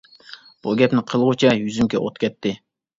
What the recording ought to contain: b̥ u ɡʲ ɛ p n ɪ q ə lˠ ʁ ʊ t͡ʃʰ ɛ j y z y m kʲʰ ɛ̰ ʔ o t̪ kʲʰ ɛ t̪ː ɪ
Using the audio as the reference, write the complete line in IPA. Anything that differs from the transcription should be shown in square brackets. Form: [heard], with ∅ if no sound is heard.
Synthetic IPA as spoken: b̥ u ɡʲ ɛ p n ɪ [qʰ] ə lˠ ʁ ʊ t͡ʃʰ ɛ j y z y m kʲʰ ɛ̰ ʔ o t̪ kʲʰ ɛ t̪ː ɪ